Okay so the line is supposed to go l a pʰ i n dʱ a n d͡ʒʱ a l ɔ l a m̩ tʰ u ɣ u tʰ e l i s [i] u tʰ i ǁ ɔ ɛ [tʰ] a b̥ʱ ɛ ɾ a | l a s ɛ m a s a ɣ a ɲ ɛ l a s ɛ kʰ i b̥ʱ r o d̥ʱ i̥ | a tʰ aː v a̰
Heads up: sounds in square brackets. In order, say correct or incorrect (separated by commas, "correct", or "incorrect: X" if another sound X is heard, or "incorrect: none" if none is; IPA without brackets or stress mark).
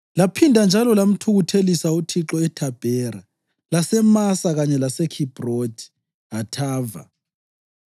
incorrect: a, correct